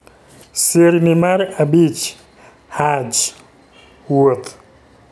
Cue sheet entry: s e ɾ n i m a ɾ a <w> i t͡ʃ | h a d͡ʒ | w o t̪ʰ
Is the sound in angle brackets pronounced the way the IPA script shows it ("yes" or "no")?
no